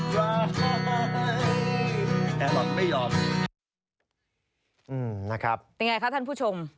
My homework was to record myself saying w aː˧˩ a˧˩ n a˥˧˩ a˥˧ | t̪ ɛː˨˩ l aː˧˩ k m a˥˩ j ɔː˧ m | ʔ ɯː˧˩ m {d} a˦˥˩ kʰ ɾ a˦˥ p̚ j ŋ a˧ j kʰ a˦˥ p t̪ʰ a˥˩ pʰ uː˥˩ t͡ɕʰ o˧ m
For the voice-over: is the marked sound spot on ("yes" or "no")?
no